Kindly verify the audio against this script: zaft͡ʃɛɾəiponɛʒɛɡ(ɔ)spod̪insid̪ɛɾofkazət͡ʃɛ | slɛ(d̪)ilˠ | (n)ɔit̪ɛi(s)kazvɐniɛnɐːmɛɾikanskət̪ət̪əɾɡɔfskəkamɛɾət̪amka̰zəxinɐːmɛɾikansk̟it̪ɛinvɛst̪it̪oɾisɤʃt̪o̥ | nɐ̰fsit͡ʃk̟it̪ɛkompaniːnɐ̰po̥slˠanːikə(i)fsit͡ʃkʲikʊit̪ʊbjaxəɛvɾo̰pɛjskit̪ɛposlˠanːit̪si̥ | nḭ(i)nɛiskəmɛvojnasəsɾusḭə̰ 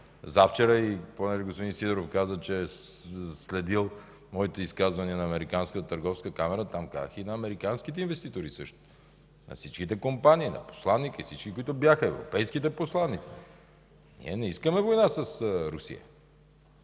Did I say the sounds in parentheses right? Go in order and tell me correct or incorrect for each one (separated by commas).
incorrect, correct, incorrect, correct, correct, incorrect